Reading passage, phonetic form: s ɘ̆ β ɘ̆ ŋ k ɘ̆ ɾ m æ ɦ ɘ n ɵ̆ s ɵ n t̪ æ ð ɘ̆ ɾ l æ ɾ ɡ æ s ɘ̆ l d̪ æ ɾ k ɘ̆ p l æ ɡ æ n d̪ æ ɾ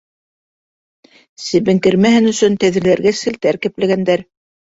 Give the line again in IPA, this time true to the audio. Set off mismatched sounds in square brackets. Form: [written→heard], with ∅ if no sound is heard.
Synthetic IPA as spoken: s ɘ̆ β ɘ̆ ŋ k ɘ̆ ɾ m æ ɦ ɘ n ɵ̆ s ɵ n t̪ æ ð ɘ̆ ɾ l æ ɾ ɡ æ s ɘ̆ l [d̪→t̪] æ ɾ k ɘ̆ p l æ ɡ æ n d̪ æ ɾ

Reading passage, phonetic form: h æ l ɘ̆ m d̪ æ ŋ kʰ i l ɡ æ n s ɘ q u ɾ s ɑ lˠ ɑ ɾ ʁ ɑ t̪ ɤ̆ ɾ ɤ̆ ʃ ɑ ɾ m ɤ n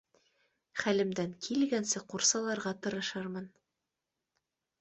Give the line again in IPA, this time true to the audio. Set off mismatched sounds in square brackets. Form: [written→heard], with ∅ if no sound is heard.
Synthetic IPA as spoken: [h→χ] æ l ɘ̆ m d̪ æ ŋ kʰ i l ɡ æ n s ɘ q u ɾ s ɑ lˠ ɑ ɾ ʁ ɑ t̪ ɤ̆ ɾ ɤ̆ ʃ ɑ ɾ m ɤ n

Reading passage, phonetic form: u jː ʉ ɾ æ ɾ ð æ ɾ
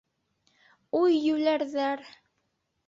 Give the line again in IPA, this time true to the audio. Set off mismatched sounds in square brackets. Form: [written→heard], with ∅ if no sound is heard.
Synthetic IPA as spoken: u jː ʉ [ɾ→l] æ ɾ ð æ ɾ

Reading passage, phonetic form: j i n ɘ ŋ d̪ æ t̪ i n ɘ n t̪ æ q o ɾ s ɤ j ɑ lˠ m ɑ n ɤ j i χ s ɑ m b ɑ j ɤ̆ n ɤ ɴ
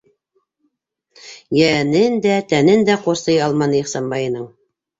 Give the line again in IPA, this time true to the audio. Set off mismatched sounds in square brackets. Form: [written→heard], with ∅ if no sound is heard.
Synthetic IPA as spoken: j [i→æ] n ɘ [ŋ→n] d̪ æ t̪ [i→æ] n ɘ n [t̪→d̪] æ q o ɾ s ɤ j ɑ lˠ m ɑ n ɤ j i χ s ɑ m b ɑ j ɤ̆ n ɤ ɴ

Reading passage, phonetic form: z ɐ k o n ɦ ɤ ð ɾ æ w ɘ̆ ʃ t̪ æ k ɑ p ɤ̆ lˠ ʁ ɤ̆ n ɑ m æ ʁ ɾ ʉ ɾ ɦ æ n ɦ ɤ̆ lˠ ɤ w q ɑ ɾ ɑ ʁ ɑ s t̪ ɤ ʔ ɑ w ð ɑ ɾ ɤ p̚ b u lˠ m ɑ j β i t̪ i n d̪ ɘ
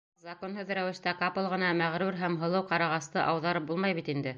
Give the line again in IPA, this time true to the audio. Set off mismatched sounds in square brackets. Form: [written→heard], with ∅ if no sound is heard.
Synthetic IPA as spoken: z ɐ k o n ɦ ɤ ð ɾ æ w ɘ̆ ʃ t̪ æ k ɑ p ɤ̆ lˠ ʁ ɤ̆ n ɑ m æ ʁ ɾ ʉ ɾ ɦ æ [n→m] ɦ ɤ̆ lˠ ɤ w q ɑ ɾ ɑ ʁ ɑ s t̪ ɤ ʔ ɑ w ð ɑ ɾ ɤ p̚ b u lˠ m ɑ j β i t̪ i n d̪ ɘ

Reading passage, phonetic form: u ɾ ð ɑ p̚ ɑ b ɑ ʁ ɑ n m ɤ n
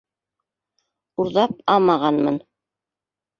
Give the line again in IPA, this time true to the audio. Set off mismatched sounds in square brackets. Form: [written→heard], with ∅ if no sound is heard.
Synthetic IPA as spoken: u ɾ ð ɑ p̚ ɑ [b→m] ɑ ʁ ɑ n m ɤ n

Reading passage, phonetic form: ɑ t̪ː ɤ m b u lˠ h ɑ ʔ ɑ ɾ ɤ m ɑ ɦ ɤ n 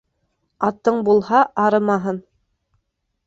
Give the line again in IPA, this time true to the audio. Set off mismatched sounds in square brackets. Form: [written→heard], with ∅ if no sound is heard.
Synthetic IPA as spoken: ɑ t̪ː ɤ [m→ɴ] b u lˠ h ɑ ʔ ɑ ɾ ɤ m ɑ ɦ ɤ n

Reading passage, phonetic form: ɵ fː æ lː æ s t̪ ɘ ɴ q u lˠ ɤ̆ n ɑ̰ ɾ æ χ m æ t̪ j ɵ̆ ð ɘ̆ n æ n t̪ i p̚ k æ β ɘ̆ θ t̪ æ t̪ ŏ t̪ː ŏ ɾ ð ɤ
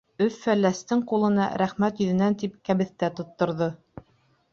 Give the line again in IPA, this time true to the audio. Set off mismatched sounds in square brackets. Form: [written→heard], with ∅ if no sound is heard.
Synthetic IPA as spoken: ɵ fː æ lː æ s t̪ ɘ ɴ q u lˠ ɤ̆ n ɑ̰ ɾ æ χ m æ t̪ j ɵ̆ ð ɘ̆ n æ n t̪ i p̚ k æ β ɘ̆ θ t̪ æ t̪ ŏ t̪ː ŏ ɾ ð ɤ

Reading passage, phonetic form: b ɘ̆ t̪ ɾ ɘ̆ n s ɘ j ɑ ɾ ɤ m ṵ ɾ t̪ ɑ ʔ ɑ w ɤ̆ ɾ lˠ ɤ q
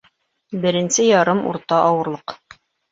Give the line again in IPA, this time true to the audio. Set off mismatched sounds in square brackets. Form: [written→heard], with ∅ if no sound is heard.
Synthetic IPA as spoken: b ɘ̆ [t̪→∅] ɾ ɘ̆ n s ɘ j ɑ ɾ ɤ m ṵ ɾ t̪ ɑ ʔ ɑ w ɤ̆ ɾ lˠ ɤ q

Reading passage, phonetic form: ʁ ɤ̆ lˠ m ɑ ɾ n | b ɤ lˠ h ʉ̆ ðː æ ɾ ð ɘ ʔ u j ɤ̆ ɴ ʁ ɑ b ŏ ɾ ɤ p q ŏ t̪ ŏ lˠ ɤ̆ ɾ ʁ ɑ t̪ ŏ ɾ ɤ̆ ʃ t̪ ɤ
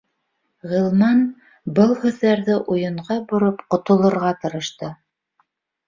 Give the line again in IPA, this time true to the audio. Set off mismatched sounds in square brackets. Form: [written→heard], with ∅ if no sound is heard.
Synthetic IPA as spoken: ʁ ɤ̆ lˠ m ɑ [ɾ→∅] n | b ɤ lˠ h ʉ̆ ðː æ ɾ ð ɘ ʔ u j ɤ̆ ɴ ʁ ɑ b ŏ ɾ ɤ p q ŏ t̪ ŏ lˠ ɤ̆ ɾ ʁ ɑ t̪ [ŏ→ɤ̆] ɾ ɤ̆ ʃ t̪ ɤ

